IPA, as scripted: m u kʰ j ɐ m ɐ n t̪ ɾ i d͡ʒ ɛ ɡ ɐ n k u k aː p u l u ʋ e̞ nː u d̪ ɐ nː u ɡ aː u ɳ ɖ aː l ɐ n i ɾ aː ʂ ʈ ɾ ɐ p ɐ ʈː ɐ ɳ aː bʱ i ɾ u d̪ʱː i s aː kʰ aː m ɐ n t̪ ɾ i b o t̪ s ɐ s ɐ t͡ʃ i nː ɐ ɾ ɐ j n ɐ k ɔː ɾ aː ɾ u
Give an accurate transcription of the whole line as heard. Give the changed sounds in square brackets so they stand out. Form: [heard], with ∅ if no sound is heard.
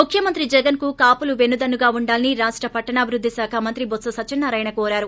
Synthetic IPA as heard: m u kʰ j ɐ m ɐ n t̪ ɾ i d͡ʒ ɛ ɡ ɐ n k u k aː p u l u ʋ e̞ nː u d̪ ɐ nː u ɡ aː u ɳ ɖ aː l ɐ n i ɾ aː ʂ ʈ ɾ ɐ p ɐ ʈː ɐ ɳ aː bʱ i ɾ u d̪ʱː i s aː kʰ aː m ɐ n t̪ ɾ i b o t̪ s ɐ s ɐ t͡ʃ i nː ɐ ɾ ɐ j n ɐ k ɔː ɾ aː ɾ u